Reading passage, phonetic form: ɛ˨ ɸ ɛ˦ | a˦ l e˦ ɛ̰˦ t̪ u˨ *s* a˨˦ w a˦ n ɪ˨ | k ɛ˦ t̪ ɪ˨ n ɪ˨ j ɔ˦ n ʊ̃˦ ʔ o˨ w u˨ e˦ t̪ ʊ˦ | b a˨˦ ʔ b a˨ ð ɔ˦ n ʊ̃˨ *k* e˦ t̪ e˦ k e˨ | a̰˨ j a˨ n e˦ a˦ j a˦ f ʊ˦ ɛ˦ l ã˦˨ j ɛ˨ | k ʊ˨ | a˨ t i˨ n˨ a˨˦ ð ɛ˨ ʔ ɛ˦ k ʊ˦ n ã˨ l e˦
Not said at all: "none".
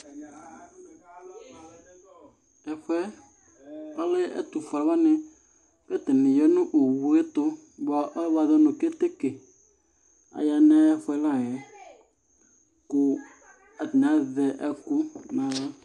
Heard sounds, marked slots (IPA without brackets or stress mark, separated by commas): f, k